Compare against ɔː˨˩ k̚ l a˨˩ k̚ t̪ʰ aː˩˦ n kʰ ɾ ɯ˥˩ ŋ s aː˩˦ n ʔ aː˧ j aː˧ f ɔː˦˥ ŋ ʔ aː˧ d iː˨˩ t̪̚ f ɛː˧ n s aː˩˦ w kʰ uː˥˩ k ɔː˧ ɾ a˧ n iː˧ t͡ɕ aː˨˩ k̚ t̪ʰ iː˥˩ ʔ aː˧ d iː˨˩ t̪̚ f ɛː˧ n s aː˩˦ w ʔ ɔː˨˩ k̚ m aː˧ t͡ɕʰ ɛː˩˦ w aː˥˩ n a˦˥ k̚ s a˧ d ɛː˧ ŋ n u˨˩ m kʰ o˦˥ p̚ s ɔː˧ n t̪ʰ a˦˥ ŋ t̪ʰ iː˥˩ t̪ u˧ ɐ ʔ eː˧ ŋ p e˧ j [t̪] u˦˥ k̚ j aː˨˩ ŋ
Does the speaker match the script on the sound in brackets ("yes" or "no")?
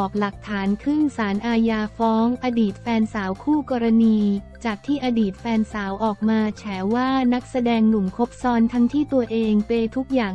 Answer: no